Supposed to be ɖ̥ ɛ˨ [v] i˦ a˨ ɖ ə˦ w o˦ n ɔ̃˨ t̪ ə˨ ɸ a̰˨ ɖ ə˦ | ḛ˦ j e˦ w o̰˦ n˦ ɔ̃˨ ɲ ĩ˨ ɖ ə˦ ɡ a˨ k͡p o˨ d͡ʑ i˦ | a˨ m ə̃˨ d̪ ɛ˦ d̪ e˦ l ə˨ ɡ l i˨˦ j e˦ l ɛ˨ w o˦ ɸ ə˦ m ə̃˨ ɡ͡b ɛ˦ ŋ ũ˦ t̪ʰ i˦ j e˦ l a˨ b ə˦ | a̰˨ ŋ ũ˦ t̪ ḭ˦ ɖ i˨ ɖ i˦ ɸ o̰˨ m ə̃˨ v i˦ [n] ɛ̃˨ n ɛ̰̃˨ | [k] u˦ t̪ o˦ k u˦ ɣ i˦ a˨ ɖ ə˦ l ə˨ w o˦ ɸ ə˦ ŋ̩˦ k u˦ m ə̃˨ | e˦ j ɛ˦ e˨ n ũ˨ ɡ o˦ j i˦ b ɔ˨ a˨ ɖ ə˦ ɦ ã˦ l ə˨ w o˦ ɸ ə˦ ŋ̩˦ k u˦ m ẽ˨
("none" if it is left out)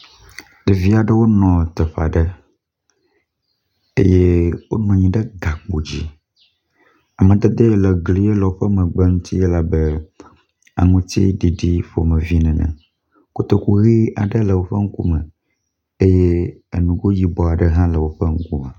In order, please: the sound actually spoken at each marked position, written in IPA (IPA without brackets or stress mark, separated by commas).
v, n, k